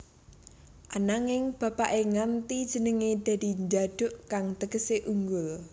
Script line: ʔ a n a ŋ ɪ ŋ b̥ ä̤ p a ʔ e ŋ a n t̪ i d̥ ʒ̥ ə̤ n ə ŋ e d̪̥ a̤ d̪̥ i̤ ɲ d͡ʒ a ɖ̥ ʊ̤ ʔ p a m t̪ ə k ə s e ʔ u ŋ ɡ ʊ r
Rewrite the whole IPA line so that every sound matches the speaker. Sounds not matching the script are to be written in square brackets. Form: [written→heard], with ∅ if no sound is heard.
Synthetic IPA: ʔ a n a ŋ ɪ ŋ b̥ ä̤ p a ʔ e ŋ a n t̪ i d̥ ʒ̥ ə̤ n ə ŋ e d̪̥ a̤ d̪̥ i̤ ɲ d͡ʒ a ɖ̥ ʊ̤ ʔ [p→k] a [m→ŋ] t̪ ə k ə s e ʔ u ŋ ɡ ʊ [r→l]